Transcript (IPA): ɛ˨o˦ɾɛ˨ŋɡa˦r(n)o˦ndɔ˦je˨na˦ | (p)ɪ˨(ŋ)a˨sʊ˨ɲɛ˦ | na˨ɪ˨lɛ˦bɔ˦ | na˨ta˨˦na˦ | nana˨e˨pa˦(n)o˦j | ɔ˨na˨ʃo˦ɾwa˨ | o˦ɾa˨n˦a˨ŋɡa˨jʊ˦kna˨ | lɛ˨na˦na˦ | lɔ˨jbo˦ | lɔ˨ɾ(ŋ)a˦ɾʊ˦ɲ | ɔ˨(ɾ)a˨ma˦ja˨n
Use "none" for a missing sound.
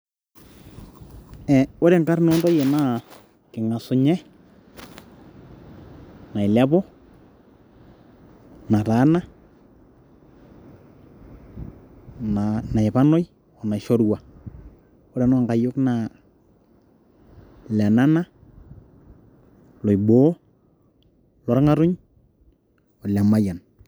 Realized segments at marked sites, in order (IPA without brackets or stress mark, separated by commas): n, k, ŋ, n, ŋ, l